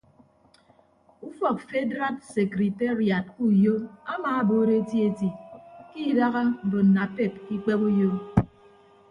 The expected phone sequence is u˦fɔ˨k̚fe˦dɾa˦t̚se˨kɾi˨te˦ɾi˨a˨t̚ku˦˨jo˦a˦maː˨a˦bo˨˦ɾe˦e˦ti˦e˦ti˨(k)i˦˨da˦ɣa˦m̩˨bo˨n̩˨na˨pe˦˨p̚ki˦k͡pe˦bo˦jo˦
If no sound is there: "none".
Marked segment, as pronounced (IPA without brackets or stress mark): k